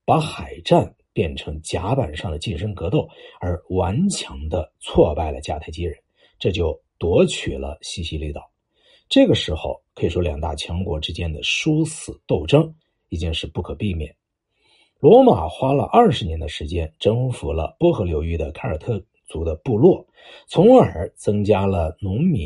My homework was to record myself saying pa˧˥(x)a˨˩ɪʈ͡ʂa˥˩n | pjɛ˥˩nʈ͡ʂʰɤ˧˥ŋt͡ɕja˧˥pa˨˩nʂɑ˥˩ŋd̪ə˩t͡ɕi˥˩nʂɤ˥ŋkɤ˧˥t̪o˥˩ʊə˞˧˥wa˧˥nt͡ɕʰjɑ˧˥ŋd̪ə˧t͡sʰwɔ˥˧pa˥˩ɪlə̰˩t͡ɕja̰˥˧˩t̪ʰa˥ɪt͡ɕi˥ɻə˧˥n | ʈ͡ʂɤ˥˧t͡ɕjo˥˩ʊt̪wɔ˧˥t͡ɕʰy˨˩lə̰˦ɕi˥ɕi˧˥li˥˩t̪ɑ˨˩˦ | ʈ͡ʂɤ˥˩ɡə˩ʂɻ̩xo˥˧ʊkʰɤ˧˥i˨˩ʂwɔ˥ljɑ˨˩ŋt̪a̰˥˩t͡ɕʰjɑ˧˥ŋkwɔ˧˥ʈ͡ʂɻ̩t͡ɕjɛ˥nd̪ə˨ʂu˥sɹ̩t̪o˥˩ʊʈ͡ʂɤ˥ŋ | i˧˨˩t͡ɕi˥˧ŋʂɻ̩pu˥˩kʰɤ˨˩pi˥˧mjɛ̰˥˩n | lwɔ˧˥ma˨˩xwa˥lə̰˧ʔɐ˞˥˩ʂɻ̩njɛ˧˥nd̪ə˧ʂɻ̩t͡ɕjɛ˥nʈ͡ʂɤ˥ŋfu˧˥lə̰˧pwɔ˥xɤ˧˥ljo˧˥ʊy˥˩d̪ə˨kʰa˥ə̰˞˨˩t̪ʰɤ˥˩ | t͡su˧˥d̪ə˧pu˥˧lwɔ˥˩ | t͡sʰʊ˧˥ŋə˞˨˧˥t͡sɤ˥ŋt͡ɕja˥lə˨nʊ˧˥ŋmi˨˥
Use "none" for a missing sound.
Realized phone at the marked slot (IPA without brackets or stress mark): x